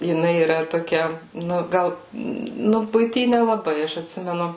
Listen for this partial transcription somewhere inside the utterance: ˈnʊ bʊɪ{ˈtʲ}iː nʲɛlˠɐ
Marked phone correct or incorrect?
correct